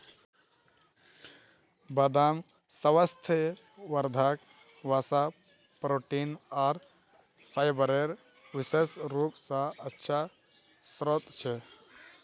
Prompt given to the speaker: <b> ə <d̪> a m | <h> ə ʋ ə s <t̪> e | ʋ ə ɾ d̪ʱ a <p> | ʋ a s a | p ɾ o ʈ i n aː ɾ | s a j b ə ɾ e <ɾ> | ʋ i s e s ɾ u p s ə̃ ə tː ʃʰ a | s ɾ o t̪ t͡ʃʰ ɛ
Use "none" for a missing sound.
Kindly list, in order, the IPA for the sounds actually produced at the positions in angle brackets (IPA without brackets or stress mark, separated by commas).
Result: b, d̪, s, t̪ʰ, k, ɾ